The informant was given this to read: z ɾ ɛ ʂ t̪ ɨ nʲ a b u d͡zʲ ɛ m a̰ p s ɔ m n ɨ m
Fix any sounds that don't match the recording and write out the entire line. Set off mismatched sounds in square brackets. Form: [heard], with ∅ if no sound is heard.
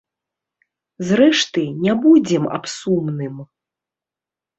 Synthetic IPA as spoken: z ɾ ɛ ʂ t̪ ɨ nʲ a b u d͡zʲ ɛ m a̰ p s [u] m n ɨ m